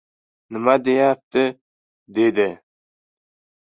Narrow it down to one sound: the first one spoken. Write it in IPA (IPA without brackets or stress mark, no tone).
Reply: n